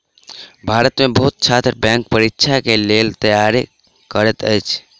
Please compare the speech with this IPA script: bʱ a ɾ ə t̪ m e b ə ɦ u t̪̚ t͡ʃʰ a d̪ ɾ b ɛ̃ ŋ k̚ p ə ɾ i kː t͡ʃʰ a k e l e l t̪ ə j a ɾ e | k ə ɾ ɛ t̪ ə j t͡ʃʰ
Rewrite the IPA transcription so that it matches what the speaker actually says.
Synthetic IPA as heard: bʱ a ɾ ə t̪ m e b ə ɦ u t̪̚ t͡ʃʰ a t̪ ɾ b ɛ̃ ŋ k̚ p ə ɾ i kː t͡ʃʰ a k e l e l t̪ ə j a ɾ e | k ə ɾ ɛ t̪ ə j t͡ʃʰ